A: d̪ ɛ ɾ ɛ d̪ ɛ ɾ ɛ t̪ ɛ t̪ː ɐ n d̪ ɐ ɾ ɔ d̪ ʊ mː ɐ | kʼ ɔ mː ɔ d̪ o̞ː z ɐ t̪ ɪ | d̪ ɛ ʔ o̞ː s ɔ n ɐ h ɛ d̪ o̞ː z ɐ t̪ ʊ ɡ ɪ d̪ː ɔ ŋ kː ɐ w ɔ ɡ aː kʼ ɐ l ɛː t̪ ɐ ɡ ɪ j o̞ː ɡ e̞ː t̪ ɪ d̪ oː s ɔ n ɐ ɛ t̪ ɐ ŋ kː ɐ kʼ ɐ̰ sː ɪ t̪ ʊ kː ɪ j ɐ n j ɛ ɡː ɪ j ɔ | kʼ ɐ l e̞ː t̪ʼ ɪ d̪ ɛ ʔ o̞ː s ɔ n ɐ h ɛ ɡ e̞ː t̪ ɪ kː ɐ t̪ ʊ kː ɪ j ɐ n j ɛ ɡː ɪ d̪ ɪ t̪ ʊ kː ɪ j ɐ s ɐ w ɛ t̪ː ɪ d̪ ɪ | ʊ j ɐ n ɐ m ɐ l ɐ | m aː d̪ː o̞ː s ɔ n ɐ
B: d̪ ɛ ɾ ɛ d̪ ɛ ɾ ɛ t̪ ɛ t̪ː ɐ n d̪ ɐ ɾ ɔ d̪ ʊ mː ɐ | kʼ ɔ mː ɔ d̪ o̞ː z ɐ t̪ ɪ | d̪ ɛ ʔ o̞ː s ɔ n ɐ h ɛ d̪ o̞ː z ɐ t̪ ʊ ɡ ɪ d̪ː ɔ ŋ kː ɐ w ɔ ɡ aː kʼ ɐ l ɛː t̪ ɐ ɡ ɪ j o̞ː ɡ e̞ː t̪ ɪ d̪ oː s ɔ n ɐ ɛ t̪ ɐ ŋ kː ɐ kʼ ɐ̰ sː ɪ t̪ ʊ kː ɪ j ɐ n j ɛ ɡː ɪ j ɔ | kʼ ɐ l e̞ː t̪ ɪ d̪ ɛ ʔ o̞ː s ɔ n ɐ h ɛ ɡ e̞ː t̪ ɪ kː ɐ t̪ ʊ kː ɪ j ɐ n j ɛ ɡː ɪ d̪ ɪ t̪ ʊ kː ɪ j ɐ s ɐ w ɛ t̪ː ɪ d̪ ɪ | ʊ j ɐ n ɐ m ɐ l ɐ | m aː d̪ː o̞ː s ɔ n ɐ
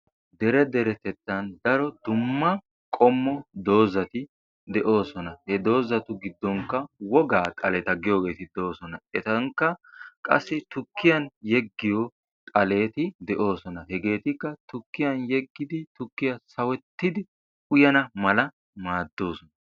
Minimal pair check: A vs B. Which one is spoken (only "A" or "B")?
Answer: B